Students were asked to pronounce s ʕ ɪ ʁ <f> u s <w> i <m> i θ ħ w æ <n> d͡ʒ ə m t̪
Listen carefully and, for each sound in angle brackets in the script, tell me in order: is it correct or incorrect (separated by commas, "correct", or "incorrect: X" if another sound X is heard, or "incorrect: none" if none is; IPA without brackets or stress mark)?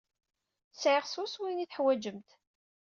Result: incorrect: s, correct, incorrect: n, incorrect: none